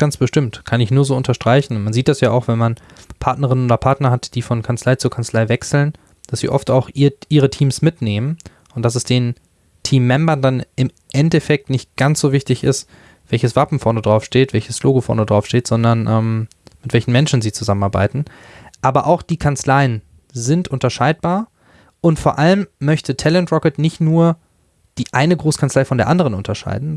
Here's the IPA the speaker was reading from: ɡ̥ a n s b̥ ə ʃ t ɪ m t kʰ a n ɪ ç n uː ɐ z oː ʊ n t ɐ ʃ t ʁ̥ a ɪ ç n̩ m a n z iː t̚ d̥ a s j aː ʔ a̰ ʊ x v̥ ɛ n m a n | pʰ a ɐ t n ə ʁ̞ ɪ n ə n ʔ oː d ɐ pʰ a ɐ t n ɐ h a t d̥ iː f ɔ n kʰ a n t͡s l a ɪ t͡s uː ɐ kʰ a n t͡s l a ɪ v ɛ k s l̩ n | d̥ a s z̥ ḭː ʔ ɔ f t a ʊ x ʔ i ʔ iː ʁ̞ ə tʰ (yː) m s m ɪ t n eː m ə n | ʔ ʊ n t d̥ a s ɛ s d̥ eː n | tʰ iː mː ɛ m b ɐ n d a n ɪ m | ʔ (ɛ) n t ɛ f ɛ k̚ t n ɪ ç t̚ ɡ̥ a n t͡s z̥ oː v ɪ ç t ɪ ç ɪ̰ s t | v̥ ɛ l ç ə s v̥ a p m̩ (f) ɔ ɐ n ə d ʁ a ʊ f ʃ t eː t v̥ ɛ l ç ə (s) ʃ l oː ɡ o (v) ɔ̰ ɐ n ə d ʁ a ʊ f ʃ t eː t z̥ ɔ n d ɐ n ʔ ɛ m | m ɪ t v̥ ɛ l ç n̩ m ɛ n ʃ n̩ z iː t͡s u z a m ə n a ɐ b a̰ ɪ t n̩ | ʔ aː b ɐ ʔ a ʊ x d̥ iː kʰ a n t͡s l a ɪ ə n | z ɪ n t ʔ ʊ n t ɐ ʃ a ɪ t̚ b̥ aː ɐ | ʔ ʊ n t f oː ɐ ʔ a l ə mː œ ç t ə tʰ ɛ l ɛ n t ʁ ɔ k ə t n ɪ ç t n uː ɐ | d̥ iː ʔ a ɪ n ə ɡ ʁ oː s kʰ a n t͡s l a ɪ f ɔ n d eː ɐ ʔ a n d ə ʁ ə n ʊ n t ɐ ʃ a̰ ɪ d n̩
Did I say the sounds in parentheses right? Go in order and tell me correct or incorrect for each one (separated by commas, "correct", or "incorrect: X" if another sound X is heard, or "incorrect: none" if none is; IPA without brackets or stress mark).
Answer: incorrect: iː, correct, correct, correct, incorrect: f